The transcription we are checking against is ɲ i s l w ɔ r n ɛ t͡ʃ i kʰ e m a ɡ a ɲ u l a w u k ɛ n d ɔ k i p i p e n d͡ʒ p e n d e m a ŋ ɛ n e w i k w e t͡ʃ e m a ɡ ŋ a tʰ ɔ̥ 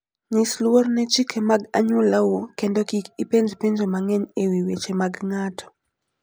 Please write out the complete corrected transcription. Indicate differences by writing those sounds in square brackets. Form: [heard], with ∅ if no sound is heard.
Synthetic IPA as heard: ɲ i s l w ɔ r n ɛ t͡ʃ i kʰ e m a ɡ a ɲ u l a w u k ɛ n d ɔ k i [k] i p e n d͡ʒ p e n [d͡ʒ] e m a ŋ ɛ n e w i [∅] w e t͡ʃ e m a ɡ ŋ a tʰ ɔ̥